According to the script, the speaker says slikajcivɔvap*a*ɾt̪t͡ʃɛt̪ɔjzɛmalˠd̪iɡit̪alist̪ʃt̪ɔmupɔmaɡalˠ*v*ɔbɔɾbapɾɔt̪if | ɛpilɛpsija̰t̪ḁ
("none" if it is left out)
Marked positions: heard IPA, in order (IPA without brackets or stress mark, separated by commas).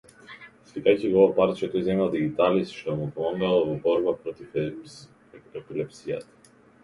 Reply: a, v